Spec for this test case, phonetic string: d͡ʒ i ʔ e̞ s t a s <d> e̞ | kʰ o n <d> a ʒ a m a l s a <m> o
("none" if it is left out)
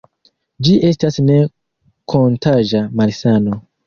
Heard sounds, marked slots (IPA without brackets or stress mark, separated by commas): n, t, n